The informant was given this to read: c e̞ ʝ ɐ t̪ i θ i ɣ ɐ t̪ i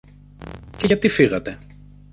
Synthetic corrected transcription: c e̞ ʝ ɐ t̪ i f i ɣ ɐ t̪ e

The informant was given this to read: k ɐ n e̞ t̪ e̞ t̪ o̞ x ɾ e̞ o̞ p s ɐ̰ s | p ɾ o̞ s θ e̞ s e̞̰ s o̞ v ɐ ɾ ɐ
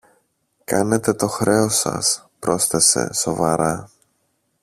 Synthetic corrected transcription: k ɐ n e̞ t̪ e̞ t̪ o̞ x ɾ e̞ o̞ s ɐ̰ s | p ɾ o̞ s θ e̞ s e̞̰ s o̞ v ɐ ɾ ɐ

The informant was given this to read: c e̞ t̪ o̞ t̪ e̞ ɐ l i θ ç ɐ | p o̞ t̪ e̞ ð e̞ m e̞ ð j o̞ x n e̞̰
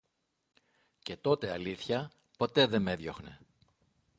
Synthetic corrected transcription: c e̞ t̪ o̞ t̪ e̞ ɐ l i θ ç ɐ | p o̞ t̪ e̞ ð e̞ m e̞ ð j o̞ x n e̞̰

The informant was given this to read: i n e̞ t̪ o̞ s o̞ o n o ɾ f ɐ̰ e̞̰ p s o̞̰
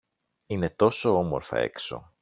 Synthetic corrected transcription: i n e̞ t̪ o̞ s o̞ o m o ɾ f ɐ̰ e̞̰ k s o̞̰

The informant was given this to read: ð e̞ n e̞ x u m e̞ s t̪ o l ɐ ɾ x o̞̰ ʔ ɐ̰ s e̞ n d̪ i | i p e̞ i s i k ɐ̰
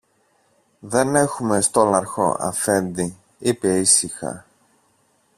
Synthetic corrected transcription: ð e̞ n e̞ x u m e̞ s t̪ o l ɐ ɾ x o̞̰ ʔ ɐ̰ f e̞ n d̪ i | i p e̞ i s i x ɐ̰

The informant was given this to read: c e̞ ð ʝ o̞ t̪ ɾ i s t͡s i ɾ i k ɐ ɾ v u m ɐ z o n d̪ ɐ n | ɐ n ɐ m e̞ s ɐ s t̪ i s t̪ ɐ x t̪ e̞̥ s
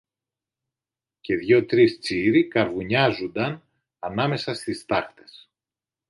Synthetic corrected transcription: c e̞ ð ʝ o̞ t̪ ɾ i s t͡s i ɾ i k ɐ ɾ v u ɲ ɐ z u n d̪ ɐ n | ɐ n ɐ m e̞ s ɐ s t̪ i s t̪ ɐ x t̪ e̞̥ s

